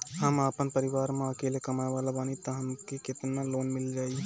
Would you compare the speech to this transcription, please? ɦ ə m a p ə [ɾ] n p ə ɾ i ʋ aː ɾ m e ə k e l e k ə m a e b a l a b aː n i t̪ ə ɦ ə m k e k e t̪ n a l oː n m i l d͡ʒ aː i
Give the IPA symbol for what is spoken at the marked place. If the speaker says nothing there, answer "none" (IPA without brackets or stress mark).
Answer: none